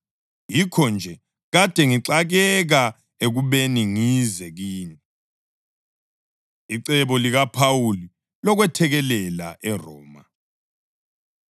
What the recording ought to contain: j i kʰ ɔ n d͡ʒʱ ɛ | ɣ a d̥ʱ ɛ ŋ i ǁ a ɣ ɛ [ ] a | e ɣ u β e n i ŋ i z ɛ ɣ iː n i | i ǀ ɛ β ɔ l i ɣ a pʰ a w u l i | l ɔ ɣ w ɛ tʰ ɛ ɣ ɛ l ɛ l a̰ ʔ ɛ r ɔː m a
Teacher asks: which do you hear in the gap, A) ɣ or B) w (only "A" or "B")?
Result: A